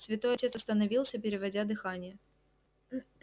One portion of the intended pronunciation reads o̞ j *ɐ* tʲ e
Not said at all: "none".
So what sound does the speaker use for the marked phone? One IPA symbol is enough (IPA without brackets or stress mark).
ɐ